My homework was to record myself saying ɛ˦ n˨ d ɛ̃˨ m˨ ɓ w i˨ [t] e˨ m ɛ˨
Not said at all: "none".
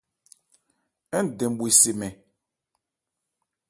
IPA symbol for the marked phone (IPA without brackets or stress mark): s